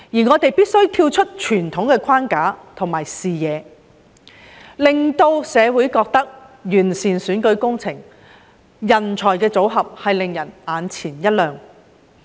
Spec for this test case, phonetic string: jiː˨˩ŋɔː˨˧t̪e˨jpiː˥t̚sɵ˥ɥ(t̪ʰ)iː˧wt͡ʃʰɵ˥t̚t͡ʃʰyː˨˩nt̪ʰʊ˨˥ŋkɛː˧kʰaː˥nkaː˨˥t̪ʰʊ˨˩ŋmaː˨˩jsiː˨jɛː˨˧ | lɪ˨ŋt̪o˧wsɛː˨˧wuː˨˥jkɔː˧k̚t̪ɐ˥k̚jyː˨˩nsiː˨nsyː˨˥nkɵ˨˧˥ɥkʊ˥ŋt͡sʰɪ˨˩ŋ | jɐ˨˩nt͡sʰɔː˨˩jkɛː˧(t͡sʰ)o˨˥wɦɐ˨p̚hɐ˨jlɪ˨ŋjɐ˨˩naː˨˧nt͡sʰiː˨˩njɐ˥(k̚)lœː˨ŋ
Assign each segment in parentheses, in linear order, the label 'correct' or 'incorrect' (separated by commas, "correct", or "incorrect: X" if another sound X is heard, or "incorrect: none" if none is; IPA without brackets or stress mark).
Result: correct, incorrect: t͡s, incorrect: t̚